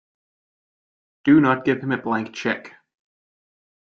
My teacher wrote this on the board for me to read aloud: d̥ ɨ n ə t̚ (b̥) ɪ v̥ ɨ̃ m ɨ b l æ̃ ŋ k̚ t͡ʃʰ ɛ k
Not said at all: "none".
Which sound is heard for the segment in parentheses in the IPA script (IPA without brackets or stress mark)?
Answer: ɡ̥